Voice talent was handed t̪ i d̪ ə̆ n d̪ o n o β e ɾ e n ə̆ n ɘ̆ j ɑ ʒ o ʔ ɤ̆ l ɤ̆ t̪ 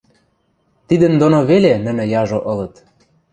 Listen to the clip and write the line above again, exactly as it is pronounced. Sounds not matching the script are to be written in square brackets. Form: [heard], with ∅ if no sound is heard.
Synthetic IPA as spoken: t̪ i d̪ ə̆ n d̪ o n o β e [l] e n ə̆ n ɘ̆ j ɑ ʒ o ʔ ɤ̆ l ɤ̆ t̪